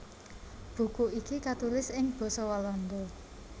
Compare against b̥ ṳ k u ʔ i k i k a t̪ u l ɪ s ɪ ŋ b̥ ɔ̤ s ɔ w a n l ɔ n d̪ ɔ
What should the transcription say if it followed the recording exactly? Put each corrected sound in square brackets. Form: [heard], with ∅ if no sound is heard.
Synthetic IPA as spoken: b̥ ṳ k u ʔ i k i k a t̪ u l ɪ s ɪ ŋ b̥ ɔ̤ s ɔ w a [∅] l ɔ n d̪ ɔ

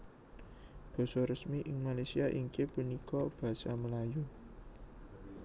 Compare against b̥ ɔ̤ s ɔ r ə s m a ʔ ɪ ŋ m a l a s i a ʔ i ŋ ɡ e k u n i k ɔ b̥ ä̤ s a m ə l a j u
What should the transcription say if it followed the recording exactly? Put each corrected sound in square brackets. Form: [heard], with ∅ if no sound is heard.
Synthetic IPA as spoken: b̥ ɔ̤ s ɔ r ə s m [i] ʔ ɪ ŋ m a l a s i a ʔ i ŋ [k] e [p] u n i k ɔ b̥ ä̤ s a m ə l a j u

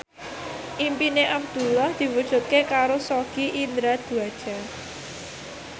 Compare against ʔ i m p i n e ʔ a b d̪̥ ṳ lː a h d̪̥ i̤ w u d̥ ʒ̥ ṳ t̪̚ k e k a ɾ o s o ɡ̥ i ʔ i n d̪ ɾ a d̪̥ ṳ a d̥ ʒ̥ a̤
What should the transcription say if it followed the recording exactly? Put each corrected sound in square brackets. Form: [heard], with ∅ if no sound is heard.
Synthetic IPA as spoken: ʔ i m p i n e ʔ a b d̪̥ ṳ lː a h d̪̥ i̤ w u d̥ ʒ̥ ṳ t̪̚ k e k a ɾ o s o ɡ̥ i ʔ i n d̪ ɾ a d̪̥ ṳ a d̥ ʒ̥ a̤

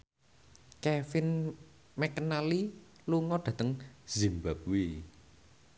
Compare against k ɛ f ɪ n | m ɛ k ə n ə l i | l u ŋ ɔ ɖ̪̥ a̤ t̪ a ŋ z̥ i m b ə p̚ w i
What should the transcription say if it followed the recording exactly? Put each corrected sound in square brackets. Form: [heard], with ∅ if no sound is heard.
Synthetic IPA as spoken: k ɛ f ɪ n | m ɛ k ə n [a] l i | l u ŋ ɔ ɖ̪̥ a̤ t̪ [ə] ŋ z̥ i m b [a] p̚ w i

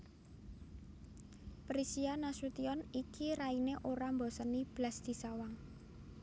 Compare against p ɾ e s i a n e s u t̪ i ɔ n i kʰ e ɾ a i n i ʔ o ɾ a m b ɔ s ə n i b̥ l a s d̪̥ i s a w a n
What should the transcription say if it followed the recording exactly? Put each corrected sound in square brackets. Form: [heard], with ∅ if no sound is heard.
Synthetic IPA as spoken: p ɾ [i] s i a n [a] s u t̪ i ɔ n i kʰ [i] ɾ a i n [e] ʔ o ɾ a m b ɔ s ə n i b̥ l a s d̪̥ i s a w a [ŋ]

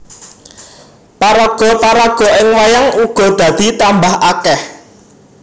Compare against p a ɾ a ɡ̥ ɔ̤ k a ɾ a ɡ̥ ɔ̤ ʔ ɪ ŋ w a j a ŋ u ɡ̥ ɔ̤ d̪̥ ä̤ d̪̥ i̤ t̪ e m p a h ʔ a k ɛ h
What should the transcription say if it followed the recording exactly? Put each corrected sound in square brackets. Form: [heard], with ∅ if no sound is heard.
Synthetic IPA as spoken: p a ɾ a ɡ̥ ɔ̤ [p] a ɾ a ɡ̥ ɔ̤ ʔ ɪ ŋ w a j a ŋ u ɡ̥ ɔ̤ d̪̥ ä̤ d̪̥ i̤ t̪ [a] m [b] a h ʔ a k ɛ h

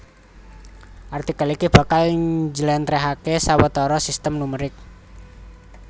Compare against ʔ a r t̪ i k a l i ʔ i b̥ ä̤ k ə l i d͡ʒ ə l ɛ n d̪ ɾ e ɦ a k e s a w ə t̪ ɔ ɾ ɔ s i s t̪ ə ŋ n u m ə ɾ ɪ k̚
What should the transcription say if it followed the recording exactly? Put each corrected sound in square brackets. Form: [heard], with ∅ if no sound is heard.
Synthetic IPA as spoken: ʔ a r t̪ i k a l i [k] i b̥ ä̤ k [a] l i d͡ʒ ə l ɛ n [t̪] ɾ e ɦ a k e s a w ə t̪ ɔ ɾ ɔ s i s t̪ ə [m] n u m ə ɾ ɪ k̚

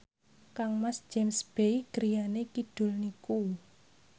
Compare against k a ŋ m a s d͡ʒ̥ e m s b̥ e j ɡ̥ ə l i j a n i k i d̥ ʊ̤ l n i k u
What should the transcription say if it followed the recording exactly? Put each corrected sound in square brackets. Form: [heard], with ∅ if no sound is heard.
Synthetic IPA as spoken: k a ŋ m a s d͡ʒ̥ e m s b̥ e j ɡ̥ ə [ɾ] i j a n [e] k i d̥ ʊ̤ l n i k u

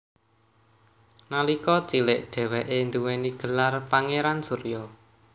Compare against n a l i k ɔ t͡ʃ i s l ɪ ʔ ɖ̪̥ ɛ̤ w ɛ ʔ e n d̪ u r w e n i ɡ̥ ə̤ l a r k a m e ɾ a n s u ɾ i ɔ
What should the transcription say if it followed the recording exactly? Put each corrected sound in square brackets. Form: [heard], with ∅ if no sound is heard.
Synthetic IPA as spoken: n a l i k ɔ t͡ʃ i [∅] l ɪ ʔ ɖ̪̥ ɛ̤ w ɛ ʔ e n d̪ u [∅] w e n i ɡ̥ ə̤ l a r [p] a [ŋ] e ɾ a n s u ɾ [j] ɔ

